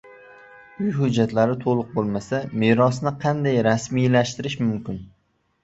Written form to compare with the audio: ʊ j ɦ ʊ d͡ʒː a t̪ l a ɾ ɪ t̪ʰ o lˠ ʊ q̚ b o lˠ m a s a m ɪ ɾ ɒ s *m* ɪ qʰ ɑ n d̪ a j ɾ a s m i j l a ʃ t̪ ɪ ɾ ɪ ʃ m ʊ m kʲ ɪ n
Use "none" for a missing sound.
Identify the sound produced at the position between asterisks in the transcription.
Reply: n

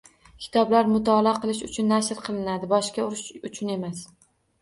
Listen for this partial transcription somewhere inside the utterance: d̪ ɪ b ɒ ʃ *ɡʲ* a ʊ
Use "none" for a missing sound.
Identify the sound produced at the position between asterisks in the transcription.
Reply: kʲ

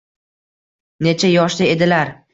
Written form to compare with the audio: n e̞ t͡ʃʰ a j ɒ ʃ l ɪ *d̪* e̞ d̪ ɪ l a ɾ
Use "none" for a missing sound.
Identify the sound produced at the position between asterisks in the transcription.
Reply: none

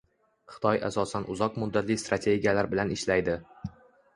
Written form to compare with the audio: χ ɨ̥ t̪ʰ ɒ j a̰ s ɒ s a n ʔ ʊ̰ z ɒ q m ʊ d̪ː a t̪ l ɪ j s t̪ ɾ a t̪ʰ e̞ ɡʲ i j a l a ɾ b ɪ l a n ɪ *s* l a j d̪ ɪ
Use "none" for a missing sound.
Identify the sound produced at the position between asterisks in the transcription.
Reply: ʃ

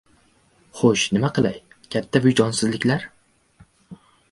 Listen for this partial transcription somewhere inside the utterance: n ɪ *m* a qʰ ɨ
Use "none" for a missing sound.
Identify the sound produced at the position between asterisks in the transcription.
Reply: m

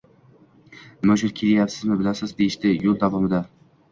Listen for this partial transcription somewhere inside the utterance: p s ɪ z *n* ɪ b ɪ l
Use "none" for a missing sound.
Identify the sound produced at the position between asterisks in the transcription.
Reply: m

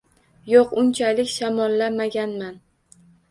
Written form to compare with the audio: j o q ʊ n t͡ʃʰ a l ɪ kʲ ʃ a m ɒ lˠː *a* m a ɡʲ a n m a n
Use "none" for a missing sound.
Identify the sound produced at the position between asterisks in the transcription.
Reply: a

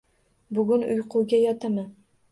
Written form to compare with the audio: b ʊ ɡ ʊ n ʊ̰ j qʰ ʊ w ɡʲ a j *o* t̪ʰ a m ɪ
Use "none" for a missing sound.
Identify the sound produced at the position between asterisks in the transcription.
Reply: ɒ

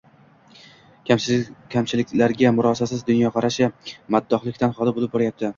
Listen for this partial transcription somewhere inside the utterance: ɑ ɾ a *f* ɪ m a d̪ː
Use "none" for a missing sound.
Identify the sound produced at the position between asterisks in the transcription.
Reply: ʃ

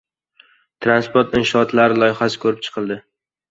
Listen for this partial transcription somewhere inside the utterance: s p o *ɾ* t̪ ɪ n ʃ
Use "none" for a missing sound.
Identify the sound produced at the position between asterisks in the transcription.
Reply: ɾ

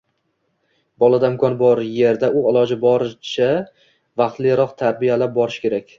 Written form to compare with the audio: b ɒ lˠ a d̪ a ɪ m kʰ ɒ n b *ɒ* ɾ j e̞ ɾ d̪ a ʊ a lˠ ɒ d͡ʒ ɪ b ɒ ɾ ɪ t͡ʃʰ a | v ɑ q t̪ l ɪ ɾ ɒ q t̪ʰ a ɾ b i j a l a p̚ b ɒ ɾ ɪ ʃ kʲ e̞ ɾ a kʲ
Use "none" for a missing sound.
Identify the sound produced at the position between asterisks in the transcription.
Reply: ɒ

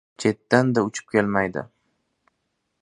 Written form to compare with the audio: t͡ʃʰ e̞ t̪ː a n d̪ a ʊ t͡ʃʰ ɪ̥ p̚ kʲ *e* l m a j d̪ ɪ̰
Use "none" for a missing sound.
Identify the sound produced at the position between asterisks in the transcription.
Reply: e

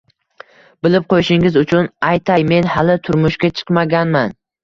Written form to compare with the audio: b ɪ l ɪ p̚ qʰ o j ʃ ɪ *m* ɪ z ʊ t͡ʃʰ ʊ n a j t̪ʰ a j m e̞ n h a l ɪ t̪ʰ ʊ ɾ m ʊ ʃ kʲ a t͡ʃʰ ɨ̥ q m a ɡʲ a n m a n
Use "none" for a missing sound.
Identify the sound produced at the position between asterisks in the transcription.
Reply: ŋ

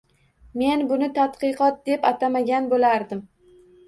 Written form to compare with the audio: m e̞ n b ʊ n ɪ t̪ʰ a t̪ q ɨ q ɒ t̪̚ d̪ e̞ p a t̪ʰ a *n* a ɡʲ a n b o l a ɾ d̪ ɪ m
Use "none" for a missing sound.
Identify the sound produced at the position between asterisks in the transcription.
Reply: m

